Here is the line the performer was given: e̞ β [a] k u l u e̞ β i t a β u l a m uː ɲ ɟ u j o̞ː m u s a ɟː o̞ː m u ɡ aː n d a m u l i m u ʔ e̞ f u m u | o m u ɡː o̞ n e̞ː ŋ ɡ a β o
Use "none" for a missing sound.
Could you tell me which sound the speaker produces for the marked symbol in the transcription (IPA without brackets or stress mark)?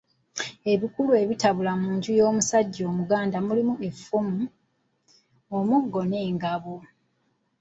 i